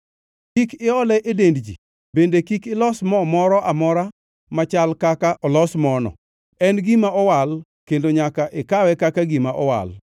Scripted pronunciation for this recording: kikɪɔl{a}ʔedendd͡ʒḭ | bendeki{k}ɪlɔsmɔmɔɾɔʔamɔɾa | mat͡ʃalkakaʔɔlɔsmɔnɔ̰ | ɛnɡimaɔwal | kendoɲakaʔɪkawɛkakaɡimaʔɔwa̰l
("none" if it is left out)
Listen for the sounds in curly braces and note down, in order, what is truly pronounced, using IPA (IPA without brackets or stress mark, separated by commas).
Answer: ɛ, k